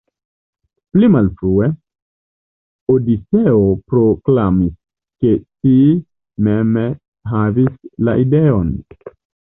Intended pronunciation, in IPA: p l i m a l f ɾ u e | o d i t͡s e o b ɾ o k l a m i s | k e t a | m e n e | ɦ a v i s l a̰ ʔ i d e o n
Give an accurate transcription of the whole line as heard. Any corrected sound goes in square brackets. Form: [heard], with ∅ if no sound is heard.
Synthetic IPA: p l i m a l f ɾ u e | o d i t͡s e o [p] ɾ o k l a m i s | k e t [i] | m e [m] e | ɦ a v i s l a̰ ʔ i d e o n

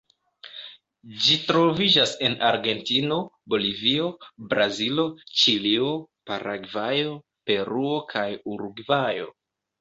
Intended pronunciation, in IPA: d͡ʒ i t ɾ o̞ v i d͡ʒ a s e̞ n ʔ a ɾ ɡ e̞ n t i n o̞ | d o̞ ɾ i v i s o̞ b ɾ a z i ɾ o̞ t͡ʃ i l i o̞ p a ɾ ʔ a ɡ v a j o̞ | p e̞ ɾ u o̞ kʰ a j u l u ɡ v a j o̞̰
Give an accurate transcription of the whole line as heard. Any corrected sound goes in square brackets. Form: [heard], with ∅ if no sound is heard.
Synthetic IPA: d͡ʒ i t ɾ o̞ v i d͡ʒ a s e̞ n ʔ a ɾ ɡ e̞ n t i n o̞ | [b] o̞ [l] i v i [∅] o̞ b ɾ a z i [l] o̞ t͡ʃ i l i o̞ p a ɾ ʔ a ɡ v a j o̞ | p e̞ ɾ u o̞ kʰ a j u [ɾ] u ɡ v a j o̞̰

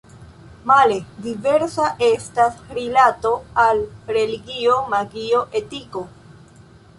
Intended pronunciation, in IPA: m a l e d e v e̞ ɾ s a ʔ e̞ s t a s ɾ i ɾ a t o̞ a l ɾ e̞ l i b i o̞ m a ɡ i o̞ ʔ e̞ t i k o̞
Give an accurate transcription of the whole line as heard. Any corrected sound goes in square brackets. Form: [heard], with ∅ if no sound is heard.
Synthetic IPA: m a l e d [i] v e̞ ɾ s a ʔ e̞ s t a s ɾ i [l] a t o̞ a l ɾ e̞ l i [ɡ] i o̞ m a ɡ i o̞ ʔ e̞ t i k o̞

